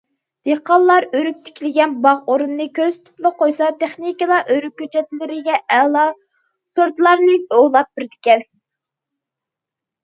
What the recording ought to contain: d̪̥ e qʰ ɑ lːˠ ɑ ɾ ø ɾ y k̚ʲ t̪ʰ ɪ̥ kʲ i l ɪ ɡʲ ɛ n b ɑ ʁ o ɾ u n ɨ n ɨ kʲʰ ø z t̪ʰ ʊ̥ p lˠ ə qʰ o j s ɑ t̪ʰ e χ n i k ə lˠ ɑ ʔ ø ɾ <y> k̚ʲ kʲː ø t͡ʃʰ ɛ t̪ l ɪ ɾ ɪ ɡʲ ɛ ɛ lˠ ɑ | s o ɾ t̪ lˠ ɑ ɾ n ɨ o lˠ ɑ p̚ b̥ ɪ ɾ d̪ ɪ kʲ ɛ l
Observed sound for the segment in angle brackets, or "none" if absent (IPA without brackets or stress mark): y